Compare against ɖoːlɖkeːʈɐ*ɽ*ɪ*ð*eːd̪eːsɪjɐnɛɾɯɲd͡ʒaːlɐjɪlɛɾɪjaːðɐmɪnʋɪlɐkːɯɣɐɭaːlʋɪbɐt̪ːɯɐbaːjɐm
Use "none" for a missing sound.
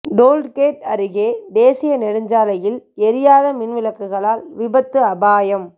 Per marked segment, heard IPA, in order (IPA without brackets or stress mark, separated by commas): ɾ, ɣ